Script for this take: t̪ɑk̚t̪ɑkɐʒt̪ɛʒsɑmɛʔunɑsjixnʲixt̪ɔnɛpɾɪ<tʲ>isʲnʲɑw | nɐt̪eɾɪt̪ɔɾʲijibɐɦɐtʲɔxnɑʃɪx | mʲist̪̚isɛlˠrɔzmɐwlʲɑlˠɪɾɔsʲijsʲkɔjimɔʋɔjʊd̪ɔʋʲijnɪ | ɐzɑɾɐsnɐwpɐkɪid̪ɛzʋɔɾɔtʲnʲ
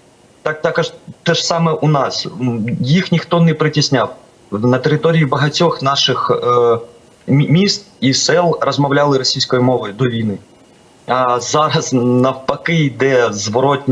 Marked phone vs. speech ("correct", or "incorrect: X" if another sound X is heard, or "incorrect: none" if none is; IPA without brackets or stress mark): correct